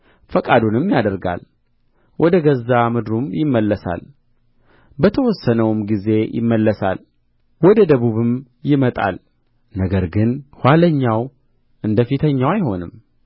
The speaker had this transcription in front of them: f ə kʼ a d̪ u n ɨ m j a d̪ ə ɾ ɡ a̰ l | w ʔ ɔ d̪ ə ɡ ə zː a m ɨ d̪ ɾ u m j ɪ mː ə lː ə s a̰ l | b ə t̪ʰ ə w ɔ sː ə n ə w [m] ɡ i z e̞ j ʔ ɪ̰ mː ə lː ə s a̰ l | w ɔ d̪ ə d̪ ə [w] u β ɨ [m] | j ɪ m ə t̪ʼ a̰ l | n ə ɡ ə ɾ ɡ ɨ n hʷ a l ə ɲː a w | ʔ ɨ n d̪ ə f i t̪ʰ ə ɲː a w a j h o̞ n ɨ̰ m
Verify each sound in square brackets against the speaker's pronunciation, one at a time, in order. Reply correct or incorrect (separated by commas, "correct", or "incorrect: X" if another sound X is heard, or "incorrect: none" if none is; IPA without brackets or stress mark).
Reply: correct, incorrect: β, correct